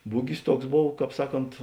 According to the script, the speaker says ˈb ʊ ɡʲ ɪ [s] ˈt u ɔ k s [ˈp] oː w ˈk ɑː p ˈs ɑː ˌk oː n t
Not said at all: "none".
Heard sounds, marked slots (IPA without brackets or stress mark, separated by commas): s, b